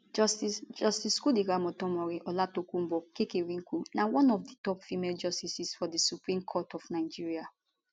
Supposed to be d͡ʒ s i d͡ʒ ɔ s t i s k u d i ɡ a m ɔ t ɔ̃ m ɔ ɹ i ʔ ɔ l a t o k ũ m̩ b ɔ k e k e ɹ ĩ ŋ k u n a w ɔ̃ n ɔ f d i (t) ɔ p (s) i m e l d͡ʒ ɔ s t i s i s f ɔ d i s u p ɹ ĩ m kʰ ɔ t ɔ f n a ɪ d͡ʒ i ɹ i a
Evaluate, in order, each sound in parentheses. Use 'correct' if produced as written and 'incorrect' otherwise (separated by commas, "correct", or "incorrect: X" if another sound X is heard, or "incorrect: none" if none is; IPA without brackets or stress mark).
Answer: correct, incorrect: f